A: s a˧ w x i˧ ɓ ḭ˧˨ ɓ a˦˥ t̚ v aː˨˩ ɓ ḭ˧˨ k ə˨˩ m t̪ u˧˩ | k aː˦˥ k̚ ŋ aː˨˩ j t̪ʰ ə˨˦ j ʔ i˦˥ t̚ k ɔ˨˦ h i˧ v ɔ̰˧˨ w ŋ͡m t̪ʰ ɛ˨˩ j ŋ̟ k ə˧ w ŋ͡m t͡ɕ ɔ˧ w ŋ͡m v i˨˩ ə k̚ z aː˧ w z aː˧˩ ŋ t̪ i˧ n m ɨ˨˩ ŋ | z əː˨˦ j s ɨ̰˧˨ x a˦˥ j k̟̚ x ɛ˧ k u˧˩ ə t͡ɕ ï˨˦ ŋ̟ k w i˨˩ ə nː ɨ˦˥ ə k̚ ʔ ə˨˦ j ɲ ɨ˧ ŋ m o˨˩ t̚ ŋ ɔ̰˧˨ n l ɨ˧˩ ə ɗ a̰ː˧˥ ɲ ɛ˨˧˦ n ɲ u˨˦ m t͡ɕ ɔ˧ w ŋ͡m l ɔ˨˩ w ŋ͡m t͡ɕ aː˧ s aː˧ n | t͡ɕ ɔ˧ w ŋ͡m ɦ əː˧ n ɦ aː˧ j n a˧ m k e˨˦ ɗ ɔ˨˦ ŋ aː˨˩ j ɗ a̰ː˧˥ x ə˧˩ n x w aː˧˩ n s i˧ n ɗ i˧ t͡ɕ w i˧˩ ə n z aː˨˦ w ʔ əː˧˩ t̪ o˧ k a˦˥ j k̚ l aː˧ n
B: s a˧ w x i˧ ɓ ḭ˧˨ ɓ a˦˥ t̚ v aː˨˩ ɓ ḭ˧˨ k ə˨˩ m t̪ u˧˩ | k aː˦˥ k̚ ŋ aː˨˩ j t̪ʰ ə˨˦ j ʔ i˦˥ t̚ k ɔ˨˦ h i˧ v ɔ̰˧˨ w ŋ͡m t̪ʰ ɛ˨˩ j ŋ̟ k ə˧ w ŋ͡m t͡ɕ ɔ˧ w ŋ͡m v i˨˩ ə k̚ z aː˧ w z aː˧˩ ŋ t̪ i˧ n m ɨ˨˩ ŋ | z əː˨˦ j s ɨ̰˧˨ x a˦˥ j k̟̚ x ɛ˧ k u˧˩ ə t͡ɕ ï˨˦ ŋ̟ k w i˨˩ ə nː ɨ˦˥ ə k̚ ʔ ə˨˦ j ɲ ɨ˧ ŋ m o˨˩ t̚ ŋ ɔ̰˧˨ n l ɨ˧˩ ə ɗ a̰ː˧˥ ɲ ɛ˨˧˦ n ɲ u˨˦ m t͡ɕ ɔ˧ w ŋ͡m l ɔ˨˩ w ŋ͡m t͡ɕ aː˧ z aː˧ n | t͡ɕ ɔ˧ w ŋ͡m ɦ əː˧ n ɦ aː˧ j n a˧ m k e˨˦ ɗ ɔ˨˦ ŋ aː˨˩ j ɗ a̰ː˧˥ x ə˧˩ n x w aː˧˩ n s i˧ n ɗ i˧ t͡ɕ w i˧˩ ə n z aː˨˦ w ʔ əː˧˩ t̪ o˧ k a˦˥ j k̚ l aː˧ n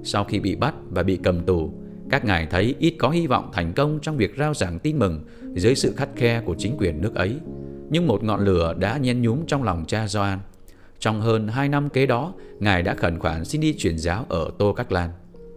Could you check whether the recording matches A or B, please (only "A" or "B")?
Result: B